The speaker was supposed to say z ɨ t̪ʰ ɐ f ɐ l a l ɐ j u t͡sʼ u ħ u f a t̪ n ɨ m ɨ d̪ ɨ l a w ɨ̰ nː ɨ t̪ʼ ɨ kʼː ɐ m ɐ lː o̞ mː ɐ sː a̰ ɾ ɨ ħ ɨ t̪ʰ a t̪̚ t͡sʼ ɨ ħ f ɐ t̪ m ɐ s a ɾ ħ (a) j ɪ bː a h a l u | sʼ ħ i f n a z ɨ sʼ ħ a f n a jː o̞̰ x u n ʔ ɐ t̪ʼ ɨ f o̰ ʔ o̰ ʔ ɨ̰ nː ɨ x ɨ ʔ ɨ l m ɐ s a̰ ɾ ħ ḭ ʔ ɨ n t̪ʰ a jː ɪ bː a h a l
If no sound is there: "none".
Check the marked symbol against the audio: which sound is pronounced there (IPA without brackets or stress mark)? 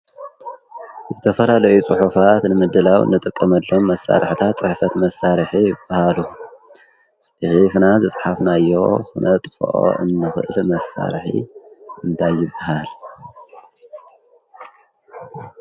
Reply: i